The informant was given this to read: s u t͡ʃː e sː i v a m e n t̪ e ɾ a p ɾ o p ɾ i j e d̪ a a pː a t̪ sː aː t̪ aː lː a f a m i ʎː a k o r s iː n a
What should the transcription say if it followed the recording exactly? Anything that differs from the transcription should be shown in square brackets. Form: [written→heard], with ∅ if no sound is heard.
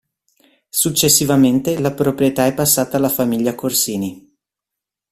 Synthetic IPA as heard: s u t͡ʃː e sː i v a m e n t̪ e [ɾ→l] a p ɾ o p ɾ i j e [d̪→t̪] a [a→ɛ] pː a [t̪→∅] sː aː t̪ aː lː a f a m i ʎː a k o r s iː n [a→i]

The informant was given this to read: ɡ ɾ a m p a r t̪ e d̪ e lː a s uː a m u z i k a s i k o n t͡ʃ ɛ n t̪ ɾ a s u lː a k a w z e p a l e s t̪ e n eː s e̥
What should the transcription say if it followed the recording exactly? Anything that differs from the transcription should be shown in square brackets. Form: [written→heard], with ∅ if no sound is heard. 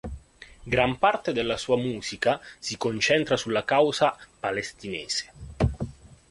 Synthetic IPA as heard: ɡ ɾ a m p a r t̪ e d̪ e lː a s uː a m [u→uː] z i k a s i k o n t͡ʃ ɛ n t̪ ɾ a s u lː a k a w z [e→a] p a l e s t̪ [e→i] n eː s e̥

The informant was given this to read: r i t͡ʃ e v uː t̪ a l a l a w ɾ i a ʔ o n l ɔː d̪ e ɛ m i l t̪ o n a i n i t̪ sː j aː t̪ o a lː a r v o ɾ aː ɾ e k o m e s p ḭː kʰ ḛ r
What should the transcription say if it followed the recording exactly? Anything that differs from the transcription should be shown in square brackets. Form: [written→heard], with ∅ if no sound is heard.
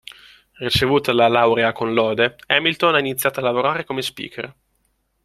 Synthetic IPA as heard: r i t͡ʃ e v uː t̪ a l a l a w ɾ [i→e] a [ʔ→k] o n l ɔː d̪ e ɛ m i l t̪ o n a i n i t̪ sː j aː t̪ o a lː a [r→∅] v o ɾ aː ɾ e k o m e s p ḭː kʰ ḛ r

